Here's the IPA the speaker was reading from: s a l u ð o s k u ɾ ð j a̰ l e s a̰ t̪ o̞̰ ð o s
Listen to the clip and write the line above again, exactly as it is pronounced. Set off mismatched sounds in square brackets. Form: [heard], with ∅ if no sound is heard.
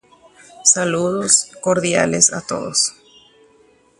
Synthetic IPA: s a l u ð o s k [o] ɾ ð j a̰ l e s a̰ t̪ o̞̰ ð o s